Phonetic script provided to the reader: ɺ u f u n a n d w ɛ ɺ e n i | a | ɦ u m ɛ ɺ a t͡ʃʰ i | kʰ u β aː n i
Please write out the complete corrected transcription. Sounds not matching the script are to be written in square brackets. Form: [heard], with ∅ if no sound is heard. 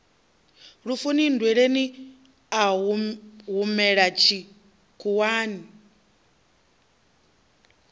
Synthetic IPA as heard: ɺ u f u n [i] n d w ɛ ɺ e n i | a | ɦ u m ɛ ɺ a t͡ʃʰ i | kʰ u [w] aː n i

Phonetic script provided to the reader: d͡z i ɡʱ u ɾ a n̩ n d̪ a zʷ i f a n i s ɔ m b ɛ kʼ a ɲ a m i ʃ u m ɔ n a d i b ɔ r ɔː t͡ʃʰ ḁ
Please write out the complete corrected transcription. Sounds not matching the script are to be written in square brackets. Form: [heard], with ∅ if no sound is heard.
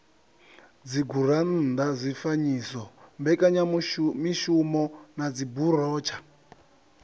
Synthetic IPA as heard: d͡z i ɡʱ u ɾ a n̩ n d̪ a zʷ i f a [ɲ] i s ɔ m b ɛ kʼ a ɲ a m i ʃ u m ɔ n a [d͡z] i b [u] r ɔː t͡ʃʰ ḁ

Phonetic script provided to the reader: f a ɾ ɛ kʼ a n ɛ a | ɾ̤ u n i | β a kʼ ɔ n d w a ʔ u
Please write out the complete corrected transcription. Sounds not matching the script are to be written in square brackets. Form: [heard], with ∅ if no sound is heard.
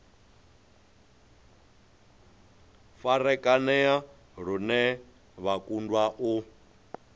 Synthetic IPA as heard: f a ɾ ɛ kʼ a n ɛ a | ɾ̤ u n [ɛ] | β a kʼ [u] n d w a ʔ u

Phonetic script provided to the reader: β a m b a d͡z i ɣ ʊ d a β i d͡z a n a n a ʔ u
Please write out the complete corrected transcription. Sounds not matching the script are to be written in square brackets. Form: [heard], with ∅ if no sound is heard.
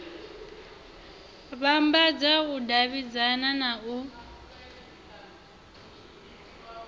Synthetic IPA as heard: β a m b a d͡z [a] ɣ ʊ d a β i d͡z a n a n a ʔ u

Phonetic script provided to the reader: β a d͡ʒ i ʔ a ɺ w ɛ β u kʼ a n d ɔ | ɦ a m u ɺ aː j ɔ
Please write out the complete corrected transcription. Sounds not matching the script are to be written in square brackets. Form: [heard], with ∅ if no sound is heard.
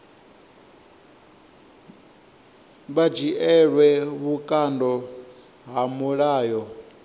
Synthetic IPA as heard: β a d͡ʒ i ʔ [ɛ] ɺ w ɛ β u kʼ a n d ɔ | ɦ a m u ɺ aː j ɔ

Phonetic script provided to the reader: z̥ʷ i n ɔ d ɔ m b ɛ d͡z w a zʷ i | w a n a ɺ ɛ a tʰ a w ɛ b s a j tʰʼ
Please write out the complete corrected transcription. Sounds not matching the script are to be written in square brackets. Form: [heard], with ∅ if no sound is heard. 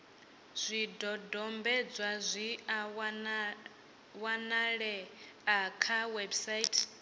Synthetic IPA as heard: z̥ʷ i [d] ɔ d ɔ m b ɛ d͡z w a zʷ i | w a n a ɺ ɛ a [kʰ] a w ɛ b s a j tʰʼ

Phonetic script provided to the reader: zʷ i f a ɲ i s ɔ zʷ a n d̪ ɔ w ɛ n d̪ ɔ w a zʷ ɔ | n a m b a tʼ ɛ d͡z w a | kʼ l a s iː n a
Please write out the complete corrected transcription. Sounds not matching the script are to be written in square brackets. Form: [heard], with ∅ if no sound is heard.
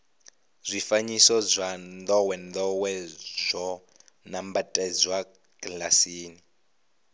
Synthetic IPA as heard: zʷ i f a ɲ i s ɔ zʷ a n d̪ ɔ w ɛ n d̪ ɔ w [ɛ] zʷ ɔ | n a m b a tʼ ɛ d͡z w a | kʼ l a s iː n [i]

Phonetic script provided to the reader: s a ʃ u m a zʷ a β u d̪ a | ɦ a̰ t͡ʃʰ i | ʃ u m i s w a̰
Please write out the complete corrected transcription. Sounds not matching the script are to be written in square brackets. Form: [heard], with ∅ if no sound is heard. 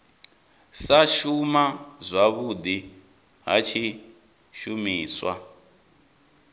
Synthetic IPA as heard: s a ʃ u m a zʷ a β u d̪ [i] | ɦ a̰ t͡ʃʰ i | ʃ u m [iː] s w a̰

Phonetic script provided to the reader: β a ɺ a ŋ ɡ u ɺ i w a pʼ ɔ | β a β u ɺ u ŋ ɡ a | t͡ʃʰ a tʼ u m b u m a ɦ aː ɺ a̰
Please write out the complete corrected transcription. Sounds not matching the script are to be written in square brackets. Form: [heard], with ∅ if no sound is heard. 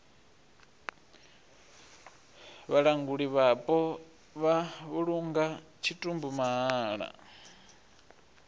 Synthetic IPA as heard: β a ɺ a ŋ ɡ u ɺ i [β] a pʼ ɔ | β a β u ɺ u ŋ ɡ a | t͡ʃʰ [i] tʼ u m b u m a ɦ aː ɺ a̰

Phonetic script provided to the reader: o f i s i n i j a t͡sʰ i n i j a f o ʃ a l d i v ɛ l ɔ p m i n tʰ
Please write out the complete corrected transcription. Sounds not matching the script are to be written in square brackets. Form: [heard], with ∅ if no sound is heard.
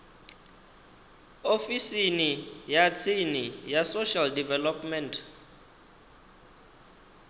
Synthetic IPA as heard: o f i s i n i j a t͡sʰ i n i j a [s] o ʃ a l d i v ɛ l ɔ p m [ɛ] n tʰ

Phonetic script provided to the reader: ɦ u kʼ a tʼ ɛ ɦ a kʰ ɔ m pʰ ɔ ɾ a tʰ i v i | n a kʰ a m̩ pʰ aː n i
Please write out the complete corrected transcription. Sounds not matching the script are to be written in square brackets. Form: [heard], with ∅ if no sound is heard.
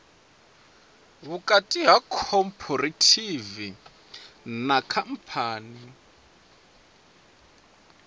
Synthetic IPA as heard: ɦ u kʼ a tʼ [i] ɦ a kʰ ɔ m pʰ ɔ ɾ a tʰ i v i | n a kʰ a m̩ pʰ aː n i

